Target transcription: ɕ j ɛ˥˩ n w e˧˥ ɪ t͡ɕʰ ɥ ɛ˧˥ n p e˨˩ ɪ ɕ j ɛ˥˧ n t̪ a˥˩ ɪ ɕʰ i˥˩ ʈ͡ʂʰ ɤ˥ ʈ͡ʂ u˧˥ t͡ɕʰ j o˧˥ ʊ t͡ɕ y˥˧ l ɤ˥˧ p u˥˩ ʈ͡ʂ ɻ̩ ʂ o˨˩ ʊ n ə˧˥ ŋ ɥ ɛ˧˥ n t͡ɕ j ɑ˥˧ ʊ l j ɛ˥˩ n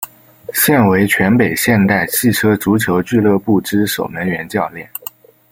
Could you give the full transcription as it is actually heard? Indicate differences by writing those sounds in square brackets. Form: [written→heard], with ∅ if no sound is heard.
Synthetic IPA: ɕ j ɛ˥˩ n w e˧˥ ɪ t͡ɕʰ ɥ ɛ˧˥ n p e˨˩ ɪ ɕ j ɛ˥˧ n t̪ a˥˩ ɪ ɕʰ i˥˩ ʈ͡ʂʰ ɤ˥ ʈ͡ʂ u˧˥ t͡ɕʰ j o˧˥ ʊ t͡ɕ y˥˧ l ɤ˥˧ p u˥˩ ʈ͡ʂ ɻ̩ ʂ o˨˩ ʊ n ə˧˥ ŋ ɥ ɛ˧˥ n t͡ɕ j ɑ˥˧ ʊ l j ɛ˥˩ n